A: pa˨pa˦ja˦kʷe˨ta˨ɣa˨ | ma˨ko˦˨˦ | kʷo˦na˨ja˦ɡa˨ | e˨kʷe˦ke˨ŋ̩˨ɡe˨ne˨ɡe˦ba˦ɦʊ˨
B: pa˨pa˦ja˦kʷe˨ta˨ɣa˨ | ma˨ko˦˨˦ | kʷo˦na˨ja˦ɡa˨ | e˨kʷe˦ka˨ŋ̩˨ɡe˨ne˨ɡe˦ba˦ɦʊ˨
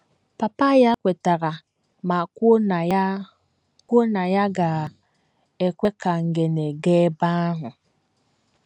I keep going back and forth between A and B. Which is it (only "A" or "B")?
B